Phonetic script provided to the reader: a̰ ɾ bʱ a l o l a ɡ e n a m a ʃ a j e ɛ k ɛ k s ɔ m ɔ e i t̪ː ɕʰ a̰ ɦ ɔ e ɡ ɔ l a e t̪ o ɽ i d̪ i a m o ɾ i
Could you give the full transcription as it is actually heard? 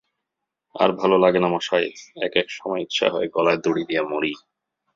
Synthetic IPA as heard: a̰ ɾ bʱ a l o l a ɡ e n a m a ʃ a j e ɛ k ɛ k ʃ ɔ m ɔ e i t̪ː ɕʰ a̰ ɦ ɔ e ɡ ɔ l a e d̪ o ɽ i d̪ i a m o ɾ i